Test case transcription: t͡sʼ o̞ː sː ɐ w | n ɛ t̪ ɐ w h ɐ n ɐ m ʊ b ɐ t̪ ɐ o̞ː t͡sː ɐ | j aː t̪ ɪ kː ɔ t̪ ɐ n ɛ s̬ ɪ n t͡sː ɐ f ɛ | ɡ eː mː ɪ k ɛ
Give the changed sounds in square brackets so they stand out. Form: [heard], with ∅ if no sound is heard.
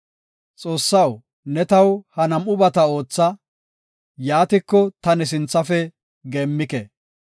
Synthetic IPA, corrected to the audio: t͡sʼ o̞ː sː ɐ w | n ɛ t̪ ɐ w h ɐ n ɐ m ʊ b ɐ t̪ ɐ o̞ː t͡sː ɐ | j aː t̪ ɪ kː ɔ t̪ ɐ n ɛ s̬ ɪ n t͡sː ɐ f ɛ | ɡ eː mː ɪ k ɛ